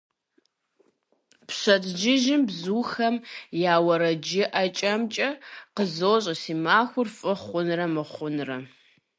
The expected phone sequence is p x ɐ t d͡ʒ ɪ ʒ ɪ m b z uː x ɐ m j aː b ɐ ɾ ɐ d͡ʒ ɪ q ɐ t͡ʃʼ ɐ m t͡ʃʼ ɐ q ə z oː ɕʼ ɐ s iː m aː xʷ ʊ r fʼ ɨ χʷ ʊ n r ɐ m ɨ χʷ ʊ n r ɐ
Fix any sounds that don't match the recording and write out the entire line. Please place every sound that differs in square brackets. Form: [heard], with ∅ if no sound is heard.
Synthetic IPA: p [ɕ] ɐ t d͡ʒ ɪ ʒ ɪ m b z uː x ɐ m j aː [w] ɐ ɾ ɐ d͡ʒ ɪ [ʔ] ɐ t͡ʃʼ ɐ m t͡ʃʼ ɐ q ə z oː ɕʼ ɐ s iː m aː xʷ ʊ r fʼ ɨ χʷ ʊ n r ɐ m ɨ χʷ ʊ n r ɐ